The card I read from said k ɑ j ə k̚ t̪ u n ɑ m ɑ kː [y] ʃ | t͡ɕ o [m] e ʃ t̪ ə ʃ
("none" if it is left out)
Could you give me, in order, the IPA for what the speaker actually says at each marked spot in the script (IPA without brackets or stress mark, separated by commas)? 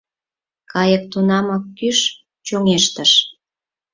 y, ŋ